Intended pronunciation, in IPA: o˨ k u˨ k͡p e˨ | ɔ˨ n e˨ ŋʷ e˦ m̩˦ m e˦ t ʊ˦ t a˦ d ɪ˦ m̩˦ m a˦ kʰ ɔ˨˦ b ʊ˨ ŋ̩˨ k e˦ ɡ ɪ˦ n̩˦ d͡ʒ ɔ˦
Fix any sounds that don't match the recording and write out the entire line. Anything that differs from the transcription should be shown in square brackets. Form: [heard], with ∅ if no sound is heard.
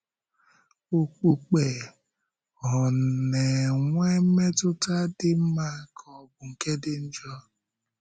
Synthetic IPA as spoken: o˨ [k͡p] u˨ k͡p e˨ | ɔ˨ n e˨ ŋʷ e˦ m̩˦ m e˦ t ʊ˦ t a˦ d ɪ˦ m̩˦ m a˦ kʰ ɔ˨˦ b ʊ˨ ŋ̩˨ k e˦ [d] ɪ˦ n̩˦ d͡ʒ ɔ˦